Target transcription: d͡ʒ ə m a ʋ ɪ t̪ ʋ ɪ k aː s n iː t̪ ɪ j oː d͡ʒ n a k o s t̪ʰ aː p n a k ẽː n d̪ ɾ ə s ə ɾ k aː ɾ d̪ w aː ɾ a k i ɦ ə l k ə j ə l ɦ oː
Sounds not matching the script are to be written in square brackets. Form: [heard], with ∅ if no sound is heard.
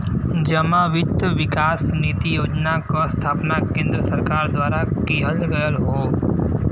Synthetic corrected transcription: d͡ʒ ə m a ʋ ɪ t̪ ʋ ɪ k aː s n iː t̪ [i] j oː d͡ʒ n a k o s t̪ʰ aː p n a k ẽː n d̪ ɾ ə s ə ɾ k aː ɾ d̪ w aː ɾ a k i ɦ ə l [ɡ] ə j ə l ɦ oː